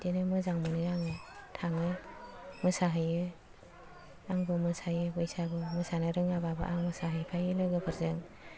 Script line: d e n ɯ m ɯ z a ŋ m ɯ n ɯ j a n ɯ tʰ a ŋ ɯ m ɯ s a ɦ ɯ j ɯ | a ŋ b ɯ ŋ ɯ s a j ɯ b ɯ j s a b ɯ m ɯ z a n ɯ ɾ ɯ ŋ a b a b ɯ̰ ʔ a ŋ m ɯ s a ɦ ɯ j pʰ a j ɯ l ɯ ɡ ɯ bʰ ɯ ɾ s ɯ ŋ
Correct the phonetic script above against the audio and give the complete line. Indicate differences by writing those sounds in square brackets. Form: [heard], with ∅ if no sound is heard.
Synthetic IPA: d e n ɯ m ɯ z a ŋ m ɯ n ɯ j a [ŋ] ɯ tʰ a ŋ ɯ m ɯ s a ɦ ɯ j ɯ | a ŋ b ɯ [m] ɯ s a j ɯ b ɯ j s a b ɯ m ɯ [s] a n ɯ ɾ ɯ ŋ a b a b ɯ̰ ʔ a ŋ m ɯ s a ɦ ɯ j pʰ a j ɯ l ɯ ɡ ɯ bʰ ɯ ɾ [z] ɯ ŋ